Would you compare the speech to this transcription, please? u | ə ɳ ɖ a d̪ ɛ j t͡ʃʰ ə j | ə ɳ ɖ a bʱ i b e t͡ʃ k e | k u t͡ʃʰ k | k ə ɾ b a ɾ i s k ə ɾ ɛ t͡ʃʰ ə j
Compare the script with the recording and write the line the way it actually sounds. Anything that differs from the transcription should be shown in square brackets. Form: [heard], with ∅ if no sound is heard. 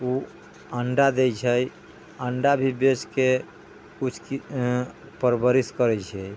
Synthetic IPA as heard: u | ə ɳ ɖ a d̪ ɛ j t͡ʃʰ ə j | ə ɳ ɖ a bʱ i b e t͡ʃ k e | k u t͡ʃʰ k | [p] ə ɾ b [ə] ɾ i s k ə ɾ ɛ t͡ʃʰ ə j